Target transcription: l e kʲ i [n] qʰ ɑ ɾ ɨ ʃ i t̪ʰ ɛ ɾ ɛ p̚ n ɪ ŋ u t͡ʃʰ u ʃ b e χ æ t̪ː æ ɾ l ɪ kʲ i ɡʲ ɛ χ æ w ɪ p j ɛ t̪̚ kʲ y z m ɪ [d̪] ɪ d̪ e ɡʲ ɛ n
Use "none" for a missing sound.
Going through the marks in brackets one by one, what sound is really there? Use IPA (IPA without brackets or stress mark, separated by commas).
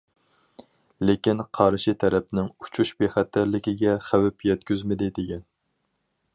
n, d̪